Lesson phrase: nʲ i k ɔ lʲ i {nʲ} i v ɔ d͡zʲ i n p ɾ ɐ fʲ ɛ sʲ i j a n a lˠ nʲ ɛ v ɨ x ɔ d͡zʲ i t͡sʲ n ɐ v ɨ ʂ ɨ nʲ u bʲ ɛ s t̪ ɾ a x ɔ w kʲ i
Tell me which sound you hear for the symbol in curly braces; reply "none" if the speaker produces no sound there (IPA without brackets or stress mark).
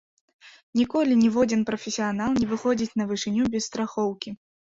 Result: nʲ